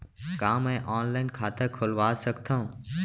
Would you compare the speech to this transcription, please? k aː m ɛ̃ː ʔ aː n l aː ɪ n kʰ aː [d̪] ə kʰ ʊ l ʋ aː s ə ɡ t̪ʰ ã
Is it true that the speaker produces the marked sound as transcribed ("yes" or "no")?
no